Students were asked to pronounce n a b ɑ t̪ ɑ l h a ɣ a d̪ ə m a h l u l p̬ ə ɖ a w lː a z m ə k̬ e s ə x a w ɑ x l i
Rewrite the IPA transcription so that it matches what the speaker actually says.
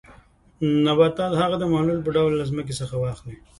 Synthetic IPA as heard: n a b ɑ t̪ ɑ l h a ɣ a d̪ ə m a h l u l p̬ ə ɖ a w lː a z m ə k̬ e s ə x a w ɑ x l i